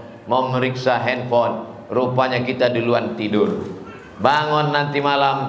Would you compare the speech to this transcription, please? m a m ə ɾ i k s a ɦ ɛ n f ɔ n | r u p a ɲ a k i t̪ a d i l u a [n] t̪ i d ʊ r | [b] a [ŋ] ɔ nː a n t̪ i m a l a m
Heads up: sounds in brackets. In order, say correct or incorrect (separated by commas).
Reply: correct, correct, correct